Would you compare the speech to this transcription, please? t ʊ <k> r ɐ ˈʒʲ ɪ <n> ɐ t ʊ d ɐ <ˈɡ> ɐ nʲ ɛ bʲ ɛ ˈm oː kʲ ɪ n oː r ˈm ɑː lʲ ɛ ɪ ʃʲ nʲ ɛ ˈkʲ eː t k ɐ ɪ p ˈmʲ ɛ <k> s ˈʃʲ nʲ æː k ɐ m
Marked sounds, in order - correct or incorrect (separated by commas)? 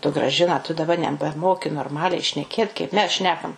incorrect, correct, incorrect, incorrect